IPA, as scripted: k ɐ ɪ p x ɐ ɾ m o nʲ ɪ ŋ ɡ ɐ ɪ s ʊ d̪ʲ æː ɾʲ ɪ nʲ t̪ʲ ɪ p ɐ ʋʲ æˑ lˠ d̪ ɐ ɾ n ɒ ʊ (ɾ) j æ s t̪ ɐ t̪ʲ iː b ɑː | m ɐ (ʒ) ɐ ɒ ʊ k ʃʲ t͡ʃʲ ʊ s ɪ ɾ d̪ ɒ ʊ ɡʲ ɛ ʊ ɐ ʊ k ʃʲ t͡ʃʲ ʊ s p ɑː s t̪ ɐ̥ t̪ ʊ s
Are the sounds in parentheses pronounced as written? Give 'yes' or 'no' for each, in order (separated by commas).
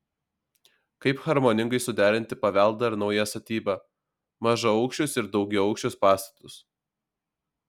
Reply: no, yes